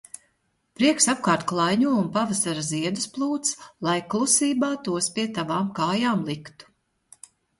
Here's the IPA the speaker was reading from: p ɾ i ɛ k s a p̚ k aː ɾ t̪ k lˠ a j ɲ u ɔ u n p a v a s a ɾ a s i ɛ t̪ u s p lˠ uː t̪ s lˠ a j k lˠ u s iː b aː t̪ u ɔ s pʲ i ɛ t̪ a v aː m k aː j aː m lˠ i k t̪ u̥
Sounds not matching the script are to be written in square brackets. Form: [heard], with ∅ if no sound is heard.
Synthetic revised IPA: p ɾ i ɛ k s a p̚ k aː ɾ t̪ k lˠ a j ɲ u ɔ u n p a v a s a ɾ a [z] i ɛ [d̪] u s p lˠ uː t̪ s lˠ a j k lˠ u s iː b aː t̪ u ɔ s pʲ i ɛ t̪ a v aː m k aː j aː m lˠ i k t̪ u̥